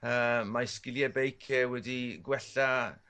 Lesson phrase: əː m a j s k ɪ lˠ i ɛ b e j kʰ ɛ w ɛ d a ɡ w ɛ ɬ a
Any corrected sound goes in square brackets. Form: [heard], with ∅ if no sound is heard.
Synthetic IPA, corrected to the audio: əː m a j s k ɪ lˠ [j] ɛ b e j kʰ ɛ w ɛ d [i] ɡ w ɛ ɬ a